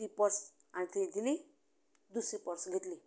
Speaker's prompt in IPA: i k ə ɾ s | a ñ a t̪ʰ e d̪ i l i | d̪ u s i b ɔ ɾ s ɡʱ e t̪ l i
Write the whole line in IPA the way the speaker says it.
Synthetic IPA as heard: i p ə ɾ s | a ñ i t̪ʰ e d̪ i l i | d̪ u s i p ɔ ɾ s ɡʱ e t̪ l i